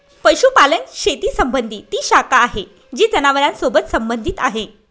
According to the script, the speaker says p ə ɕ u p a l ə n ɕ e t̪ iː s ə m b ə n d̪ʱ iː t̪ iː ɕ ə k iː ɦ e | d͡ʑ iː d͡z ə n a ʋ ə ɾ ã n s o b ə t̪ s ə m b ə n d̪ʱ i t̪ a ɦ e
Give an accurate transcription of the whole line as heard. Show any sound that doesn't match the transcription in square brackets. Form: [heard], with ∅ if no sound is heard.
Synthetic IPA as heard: p ə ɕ u p a l ə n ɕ e t̪ iː s ə m b ə n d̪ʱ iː t̪ iː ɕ [a] k [aː] ɦ e | d͡ʑ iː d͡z ə n a ʋ ə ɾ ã n s o b ə t̪ s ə m b ə n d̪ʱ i t̪ a ɦ e